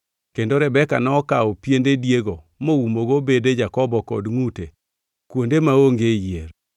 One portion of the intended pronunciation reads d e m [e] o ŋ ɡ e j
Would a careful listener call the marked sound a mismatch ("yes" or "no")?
yes